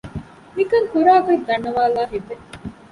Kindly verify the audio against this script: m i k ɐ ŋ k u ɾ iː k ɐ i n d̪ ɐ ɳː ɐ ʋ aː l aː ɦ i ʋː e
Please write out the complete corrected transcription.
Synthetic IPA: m i k ɐ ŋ k u ɾ aː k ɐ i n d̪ ɐ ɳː ɐ ʋ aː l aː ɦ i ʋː e